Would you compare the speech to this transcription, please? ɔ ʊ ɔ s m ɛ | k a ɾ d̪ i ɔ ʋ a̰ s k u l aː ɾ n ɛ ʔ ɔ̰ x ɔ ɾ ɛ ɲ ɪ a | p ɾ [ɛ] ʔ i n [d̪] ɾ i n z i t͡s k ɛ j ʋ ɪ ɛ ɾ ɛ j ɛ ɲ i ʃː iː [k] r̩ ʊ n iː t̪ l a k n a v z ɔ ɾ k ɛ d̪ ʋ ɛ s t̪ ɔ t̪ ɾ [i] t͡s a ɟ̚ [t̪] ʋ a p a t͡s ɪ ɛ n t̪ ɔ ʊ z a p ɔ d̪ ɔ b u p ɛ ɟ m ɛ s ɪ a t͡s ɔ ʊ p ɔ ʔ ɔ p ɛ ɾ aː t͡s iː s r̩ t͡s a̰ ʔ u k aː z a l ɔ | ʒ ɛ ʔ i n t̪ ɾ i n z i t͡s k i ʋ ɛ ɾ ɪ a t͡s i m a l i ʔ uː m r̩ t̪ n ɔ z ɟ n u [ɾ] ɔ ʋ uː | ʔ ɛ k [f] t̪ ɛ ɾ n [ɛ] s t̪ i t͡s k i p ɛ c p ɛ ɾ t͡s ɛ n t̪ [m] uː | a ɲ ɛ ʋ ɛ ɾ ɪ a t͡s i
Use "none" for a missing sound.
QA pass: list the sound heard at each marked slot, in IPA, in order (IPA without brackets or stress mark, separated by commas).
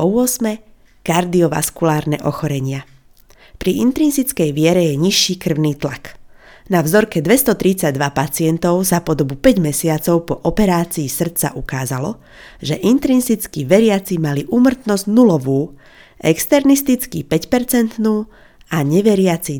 i, t̪, k, i, d̪, l, s, i, n